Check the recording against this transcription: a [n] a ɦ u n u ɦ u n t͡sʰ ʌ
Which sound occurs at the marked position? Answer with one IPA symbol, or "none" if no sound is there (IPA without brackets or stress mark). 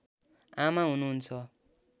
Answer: m